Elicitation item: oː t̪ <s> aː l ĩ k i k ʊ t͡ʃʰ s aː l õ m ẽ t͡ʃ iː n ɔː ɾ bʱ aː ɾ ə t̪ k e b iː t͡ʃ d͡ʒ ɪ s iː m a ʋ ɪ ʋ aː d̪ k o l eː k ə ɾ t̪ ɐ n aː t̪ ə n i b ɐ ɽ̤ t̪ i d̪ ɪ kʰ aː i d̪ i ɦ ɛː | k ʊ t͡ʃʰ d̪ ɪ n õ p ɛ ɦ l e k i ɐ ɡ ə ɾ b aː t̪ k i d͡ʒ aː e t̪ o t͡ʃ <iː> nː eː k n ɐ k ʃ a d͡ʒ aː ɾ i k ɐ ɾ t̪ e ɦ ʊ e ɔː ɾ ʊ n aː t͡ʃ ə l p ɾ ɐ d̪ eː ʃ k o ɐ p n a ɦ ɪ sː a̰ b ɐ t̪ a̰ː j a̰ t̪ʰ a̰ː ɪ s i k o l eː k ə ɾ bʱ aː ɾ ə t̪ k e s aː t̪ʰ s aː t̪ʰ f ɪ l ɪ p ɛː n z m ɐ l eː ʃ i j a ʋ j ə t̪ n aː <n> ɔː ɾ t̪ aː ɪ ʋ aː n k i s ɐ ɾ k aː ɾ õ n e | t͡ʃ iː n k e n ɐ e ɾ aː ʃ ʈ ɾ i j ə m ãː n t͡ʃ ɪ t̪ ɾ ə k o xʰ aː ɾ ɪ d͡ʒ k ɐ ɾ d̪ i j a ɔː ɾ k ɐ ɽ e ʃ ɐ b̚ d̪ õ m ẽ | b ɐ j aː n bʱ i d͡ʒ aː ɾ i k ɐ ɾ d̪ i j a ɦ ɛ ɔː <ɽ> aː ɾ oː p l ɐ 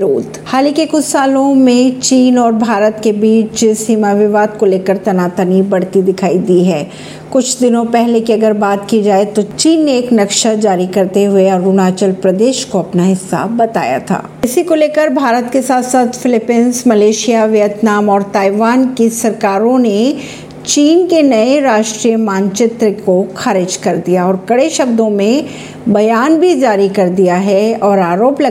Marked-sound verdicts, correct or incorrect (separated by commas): incorrect, correct, incorrect, incorrect